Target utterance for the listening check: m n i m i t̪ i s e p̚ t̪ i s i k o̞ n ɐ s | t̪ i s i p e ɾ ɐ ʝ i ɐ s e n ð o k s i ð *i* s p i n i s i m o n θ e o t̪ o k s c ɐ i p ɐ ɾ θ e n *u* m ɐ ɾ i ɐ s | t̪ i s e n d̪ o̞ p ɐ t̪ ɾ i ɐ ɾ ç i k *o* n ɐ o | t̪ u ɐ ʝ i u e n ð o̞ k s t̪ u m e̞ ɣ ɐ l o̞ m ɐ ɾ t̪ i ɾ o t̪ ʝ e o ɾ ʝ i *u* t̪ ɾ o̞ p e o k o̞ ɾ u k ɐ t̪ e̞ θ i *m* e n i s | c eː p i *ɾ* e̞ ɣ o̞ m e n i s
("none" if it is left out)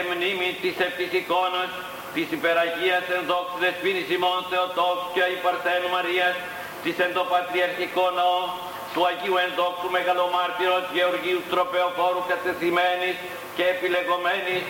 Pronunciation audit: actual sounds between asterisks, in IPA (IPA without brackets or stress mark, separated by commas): e, u, o, u, m, l